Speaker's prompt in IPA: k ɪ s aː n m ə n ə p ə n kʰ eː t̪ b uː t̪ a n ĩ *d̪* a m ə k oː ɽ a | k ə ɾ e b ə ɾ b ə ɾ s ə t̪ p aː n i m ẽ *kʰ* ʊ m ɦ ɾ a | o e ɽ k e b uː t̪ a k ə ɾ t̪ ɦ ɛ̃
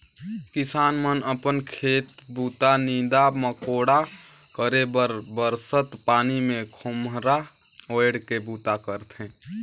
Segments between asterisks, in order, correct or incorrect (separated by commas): correct, correct